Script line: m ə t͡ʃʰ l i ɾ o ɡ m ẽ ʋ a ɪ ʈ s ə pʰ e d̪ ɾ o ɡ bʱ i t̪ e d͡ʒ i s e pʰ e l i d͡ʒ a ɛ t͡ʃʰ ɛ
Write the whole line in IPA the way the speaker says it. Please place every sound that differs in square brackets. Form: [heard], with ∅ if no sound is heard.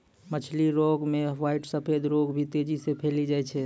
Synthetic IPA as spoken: m ə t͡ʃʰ l i ɾ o ɡ m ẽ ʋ a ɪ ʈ s ə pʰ e d̪ ɾ o ɡ bʱ i t̪ e d͡ʒ i s e pʰ e l i d͡ʒ a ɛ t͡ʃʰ ɛ